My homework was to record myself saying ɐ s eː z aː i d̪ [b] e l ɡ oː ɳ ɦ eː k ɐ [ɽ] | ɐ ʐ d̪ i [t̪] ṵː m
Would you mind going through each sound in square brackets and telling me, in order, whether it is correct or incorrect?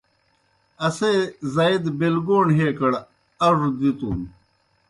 correct, correct, correct

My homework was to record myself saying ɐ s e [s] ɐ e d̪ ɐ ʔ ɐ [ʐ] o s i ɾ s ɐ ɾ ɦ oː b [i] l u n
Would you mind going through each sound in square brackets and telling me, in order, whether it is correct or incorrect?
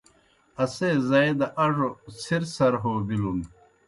incorrect, correct, correct

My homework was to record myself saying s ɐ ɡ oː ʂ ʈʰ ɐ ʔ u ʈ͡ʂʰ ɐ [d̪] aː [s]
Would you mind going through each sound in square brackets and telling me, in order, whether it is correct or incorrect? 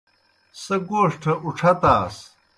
incorrect, correct

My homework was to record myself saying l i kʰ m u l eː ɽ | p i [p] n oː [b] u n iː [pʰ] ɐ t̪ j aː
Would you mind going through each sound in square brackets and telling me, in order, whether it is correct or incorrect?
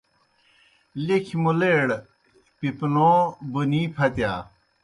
correct, correct, correct

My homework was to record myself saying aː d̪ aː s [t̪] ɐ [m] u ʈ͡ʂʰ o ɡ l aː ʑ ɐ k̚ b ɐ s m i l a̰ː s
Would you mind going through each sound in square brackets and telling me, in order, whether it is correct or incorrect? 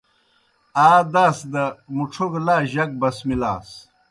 incorrect, correct

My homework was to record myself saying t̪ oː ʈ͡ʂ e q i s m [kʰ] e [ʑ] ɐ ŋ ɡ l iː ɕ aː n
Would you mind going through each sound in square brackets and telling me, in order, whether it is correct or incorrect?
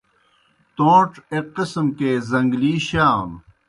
incorrect, incorrect

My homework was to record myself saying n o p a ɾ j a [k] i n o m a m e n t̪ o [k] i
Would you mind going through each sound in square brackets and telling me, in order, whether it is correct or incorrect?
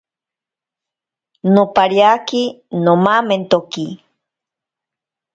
correct, correct

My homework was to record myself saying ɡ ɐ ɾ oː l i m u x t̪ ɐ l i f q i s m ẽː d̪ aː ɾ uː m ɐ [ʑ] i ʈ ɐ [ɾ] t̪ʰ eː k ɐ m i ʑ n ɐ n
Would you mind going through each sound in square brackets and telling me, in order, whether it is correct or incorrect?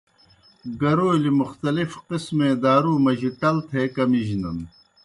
correct, incorrect

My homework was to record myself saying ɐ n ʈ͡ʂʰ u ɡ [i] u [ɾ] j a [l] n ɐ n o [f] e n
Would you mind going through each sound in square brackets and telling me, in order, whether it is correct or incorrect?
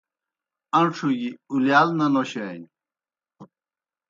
correct, incorrect, correct, incorrect

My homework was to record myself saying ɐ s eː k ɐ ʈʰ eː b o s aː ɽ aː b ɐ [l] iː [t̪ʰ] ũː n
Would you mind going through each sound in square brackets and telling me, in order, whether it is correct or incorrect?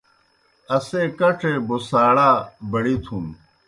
incorrect, correct

